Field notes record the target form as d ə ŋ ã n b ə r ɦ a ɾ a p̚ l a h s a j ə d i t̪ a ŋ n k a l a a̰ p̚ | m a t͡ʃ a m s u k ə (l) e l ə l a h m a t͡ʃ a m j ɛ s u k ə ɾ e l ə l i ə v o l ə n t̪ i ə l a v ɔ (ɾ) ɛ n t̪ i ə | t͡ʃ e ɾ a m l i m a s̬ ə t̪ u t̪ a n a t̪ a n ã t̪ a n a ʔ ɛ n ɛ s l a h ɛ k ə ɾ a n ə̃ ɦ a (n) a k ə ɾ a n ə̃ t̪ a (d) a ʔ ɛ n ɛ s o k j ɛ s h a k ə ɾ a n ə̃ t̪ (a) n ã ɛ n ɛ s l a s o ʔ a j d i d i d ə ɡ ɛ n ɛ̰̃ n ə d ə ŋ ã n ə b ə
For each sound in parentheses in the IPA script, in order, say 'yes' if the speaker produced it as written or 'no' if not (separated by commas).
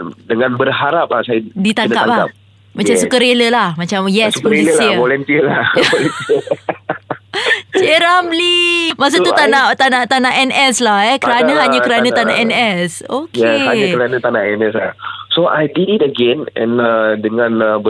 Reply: no, no, no, no, yes